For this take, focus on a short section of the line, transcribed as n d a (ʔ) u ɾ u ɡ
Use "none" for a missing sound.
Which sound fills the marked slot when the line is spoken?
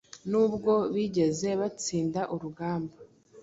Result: ʔ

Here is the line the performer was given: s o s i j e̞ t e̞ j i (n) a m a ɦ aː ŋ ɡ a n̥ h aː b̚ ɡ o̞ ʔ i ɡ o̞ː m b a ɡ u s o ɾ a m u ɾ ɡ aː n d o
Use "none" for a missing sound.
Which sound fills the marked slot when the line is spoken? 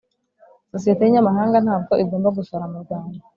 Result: ɲ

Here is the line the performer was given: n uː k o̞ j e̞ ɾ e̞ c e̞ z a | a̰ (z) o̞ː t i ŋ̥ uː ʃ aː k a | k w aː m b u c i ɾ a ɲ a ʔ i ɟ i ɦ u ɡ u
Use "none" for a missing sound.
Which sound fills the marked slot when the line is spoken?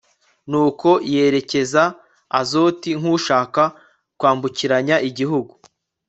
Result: z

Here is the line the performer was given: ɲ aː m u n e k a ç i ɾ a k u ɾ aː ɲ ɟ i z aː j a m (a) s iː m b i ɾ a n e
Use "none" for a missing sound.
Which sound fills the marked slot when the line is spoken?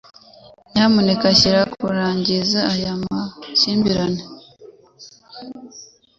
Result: a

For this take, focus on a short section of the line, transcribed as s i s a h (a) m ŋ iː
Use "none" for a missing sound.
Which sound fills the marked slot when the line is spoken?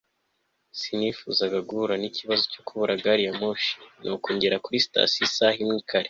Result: i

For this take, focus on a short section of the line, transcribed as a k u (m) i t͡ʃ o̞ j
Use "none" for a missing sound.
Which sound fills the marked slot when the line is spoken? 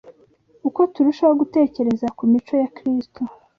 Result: m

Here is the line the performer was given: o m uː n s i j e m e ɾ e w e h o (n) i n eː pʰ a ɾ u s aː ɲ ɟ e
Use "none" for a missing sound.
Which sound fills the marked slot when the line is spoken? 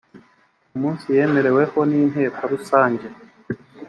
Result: n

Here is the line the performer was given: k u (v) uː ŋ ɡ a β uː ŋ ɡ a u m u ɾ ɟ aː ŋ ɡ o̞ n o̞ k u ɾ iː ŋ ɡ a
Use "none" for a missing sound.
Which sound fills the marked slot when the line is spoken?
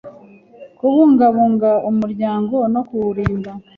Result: β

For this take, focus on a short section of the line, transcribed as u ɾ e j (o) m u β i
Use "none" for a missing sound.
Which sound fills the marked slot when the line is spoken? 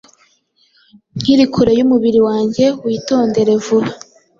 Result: u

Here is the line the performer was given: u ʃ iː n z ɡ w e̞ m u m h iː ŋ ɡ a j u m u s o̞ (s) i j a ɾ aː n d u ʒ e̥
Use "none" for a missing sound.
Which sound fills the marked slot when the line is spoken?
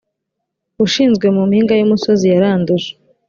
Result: z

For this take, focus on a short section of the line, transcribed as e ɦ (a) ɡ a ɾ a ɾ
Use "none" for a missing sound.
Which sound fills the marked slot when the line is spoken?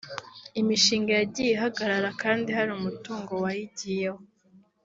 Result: a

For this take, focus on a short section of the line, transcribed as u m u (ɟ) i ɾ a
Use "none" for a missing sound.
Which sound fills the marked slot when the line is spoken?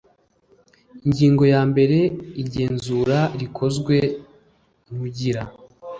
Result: ɟ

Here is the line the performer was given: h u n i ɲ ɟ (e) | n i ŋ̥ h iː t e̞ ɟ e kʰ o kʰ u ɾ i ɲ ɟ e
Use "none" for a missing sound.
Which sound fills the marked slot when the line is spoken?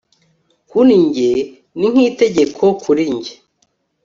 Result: e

